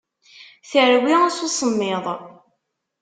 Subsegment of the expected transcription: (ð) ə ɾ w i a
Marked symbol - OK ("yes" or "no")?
no